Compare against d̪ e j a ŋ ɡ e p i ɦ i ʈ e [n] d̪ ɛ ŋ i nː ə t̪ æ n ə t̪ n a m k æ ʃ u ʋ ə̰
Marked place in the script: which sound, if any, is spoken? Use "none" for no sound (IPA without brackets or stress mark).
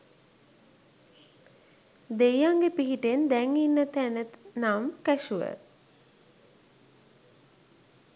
n